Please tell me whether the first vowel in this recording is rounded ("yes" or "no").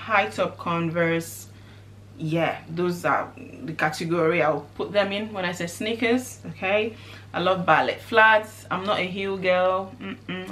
no